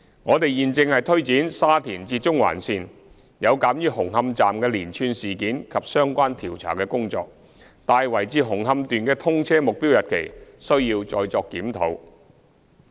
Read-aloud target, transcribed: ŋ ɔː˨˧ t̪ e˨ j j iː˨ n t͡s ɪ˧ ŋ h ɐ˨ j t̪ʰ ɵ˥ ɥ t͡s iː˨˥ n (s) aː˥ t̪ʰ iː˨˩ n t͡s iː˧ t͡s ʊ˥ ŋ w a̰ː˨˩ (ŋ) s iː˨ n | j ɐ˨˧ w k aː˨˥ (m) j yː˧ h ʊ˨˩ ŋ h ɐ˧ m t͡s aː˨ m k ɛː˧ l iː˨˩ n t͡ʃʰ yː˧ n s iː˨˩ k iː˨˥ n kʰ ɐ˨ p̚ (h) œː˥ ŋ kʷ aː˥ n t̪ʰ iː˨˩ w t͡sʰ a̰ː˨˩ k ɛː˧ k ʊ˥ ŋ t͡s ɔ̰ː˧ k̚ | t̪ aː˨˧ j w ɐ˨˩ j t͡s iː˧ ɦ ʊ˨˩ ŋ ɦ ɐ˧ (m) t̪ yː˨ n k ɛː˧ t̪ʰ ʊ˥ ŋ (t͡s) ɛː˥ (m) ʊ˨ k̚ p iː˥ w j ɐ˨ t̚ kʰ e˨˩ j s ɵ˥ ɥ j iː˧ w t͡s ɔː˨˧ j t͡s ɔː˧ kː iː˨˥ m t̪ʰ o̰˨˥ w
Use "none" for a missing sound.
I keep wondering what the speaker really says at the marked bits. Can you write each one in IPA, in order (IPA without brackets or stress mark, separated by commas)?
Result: s, n, m, s, m, t͡sʰ, m